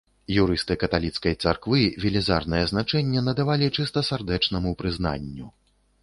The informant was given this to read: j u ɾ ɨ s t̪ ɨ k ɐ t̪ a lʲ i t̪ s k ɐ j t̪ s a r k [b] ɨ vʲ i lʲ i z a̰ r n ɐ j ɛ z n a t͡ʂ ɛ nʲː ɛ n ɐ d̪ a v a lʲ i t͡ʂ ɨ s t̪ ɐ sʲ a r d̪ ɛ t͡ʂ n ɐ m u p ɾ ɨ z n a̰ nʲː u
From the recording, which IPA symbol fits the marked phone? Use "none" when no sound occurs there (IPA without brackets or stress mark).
v